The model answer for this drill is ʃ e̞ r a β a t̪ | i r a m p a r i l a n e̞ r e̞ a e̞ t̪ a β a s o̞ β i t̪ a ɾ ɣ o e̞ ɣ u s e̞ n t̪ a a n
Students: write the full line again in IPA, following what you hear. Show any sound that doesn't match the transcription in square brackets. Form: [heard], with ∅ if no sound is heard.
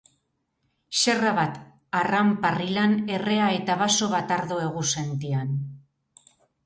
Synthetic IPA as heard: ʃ e̞ r a β a t̪ | [a] r a m p a r i l a n e̞ r e̞ a e̞ t̪ a β a s o̞ β [a] t̪ a ɾ [ð] o e̞ ɣ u s e̞ n t̪ [i] a n